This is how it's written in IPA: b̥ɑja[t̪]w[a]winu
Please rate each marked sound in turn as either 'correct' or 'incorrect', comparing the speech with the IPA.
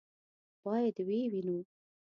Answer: incorrect, incorrect

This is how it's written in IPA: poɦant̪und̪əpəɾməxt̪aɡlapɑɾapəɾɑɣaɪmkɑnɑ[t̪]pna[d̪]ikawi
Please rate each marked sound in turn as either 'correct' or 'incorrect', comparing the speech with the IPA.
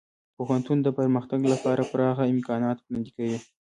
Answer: correct, correct

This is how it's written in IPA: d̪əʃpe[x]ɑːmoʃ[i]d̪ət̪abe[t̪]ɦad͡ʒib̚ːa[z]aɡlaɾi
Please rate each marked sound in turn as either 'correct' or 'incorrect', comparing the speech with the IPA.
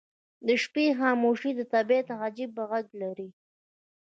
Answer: correct, correct, correct, incorrect

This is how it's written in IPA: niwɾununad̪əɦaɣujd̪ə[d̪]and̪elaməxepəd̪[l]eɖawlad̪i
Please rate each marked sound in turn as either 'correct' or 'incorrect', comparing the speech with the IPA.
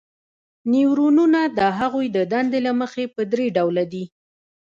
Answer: correct, incorrect

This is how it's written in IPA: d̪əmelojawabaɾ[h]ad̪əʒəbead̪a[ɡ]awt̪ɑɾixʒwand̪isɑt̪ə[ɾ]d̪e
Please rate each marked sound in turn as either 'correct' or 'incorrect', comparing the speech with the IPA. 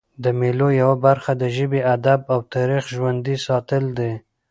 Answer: incorrect, incorrect, incorrect

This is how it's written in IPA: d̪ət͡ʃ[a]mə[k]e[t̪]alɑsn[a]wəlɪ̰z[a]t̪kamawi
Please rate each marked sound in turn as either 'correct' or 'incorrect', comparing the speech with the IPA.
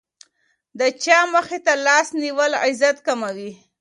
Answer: incorrect, incorrect, correct, incorrect, correct

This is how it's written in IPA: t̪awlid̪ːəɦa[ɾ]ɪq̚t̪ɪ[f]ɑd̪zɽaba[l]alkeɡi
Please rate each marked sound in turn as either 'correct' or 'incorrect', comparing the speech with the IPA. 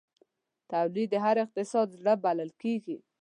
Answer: correct, incorrect, correct

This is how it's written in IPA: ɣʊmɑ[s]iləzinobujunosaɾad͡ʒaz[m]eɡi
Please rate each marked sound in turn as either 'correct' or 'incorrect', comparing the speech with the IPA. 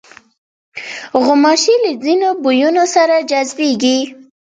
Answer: incorrect, incorrect

